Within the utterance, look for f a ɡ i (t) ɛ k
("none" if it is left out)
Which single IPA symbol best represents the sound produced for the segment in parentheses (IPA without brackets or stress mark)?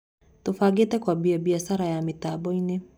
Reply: t